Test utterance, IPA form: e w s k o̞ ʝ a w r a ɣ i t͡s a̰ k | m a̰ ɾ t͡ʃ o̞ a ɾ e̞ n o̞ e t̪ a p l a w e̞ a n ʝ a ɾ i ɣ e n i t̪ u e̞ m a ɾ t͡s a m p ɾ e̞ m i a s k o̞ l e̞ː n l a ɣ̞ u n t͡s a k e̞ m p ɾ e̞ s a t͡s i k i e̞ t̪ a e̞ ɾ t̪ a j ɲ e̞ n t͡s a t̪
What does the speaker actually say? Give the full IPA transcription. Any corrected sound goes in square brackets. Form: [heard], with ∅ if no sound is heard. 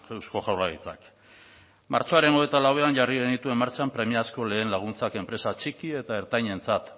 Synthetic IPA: e w s k o̞ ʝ a w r a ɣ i t͡s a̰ k | m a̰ ɾ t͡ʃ o̞ a ɾ e̞ n o̞ e t̪ a [∅] l a w e̞ a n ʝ a [r] i ɣ e n i t̪ u e̞ m a ɾ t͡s a m p ɾ e̞ m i a s k o̞ l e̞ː n l a ɣ̞ u n t͡s a k e̞ m p ɾ e̞ s a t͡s i k i e̞ t̪ a e̞ ɾ t̪ a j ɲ e̞ n t͡s a t̪